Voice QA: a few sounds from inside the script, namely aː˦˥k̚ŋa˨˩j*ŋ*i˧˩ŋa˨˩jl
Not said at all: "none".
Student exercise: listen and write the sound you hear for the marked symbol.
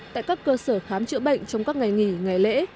ŋ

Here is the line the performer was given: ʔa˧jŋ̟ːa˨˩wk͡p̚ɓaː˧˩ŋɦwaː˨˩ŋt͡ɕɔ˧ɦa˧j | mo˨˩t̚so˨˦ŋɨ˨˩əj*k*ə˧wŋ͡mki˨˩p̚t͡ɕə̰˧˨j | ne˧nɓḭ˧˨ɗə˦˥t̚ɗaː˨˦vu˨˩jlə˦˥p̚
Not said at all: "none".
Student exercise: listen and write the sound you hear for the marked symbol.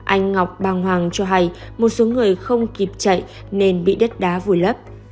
x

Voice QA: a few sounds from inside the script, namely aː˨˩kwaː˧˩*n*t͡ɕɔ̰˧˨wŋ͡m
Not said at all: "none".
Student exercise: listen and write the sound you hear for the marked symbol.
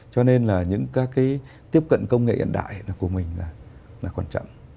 n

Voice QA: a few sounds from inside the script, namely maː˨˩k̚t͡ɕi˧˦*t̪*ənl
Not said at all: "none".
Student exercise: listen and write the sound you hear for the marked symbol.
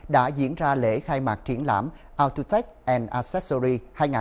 none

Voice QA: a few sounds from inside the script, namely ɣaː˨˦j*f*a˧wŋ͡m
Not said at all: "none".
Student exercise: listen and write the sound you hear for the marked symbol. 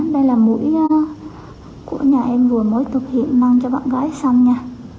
s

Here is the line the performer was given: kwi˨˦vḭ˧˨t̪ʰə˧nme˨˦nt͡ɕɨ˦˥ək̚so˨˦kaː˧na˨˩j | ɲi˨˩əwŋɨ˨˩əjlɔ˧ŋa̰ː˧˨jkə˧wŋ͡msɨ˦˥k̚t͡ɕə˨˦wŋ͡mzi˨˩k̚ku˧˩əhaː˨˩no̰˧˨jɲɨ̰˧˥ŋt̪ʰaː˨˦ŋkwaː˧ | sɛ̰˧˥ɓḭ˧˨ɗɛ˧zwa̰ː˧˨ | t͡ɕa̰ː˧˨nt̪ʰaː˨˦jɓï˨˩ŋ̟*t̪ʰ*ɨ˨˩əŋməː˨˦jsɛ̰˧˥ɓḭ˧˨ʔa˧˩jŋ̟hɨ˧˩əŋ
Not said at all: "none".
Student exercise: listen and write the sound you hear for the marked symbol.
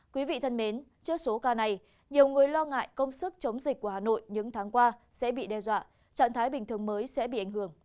t̪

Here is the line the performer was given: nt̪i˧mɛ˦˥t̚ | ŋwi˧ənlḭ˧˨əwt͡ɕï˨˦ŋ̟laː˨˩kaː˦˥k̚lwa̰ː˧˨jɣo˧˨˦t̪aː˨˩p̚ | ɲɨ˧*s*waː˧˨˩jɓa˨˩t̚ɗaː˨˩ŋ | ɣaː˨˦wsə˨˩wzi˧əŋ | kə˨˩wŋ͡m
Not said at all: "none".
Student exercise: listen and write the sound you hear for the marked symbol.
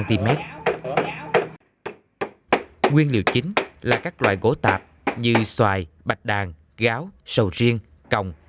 s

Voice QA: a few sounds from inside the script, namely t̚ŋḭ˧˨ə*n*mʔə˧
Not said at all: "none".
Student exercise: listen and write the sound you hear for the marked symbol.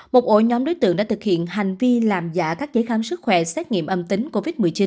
none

